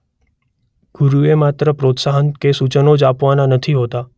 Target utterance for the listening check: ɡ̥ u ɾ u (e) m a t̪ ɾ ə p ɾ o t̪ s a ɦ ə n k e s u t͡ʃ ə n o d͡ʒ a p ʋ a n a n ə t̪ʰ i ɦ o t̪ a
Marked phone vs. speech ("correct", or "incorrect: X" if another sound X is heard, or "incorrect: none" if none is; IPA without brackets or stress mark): correct